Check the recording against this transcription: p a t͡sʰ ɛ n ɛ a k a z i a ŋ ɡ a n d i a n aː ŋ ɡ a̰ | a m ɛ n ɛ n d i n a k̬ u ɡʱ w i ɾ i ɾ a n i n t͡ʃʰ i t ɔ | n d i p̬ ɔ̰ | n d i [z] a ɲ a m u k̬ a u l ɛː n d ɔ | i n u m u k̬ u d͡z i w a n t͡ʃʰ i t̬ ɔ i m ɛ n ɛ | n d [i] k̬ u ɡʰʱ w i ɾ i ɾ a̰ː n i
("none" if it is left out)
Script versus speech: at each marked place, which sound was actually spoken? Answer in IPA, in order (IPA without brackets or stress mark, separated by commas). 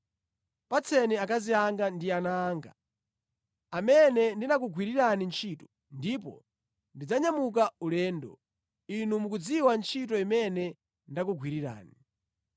d͡z, a